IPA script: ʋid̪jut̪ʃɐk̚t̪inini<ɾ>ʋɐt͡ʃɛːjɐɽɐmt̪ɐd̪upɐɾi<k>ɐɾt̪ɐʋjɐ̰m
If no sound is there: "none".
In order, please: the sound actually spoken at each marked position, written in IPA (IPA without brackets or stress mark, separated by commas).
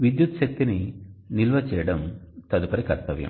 l, k